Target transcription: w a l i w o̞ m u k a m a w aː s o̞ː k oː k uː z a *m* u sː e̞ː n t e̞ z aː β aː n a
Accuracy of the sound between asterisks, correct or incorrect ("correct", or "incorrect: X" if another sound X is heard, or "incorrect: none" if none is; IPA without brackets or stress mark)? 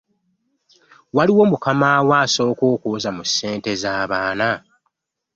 correct